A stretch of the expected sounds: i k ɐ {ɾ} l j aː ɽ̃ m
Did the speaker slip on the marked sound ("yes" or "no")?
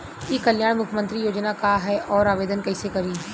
yes